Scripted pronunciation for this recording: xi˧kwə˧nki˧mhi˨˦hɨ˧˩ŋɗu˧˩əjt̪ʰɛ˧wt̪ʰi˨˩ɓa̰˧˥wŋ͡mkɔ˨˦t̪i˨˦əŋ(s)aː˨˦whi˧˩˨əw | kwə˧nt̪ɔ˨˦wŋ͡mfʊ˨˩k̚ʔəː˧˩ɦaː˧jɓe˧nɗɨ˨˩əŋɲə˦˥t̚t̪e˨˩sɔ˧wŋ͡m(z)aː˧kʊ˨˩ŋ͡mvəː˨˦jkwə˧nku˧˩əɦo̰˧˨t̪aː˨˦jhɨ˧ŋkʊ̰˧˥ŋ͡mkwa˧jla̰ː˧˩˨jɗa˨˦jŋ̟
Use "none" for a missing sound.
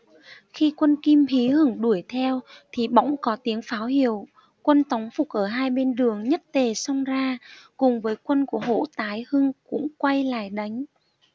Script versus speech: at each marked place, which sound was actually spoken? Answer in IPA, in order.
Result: f, z

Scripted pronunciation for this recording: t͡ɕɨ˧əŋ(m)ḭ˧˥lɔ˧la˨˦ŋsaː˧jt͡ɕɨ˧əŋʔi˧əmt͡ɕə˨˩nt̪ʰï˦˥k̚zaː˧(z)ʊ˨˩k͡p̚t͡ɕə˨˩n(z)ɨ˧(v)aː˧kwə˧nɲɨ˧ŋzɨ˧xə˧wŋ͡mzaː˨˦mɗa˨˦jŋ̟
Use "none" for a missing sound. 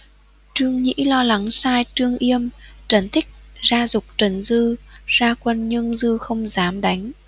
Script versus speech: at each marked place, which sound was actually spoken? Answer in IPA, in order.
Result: ɲ, z, z, z

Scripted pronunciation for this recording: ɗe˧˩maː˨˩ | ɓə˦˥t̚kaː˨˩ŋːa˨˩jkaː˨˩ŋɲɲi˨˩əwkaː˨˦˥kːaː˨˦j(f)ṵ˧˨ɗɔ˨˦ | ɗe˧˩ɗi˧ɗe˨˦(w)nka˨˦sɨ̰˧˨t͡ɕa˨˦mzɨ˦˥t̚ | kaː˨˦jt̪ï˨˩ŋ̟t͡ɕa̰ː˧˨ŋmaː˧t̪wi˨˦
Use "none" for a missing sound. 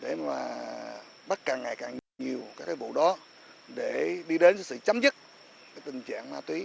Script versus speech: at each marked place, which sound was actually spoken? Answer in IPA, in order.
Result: v, none

